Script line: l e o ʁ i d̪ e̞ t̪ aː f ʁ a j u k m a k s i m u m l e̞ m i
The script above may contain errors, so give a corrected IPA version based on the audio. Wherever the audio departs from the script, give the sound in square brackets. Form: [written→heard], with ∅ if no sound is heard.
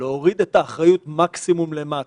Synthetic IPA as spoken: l e o ʁ i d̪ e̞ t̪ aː [f→χ] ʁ a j u [k→t] m a k s i m u m l e̞ m [i→a]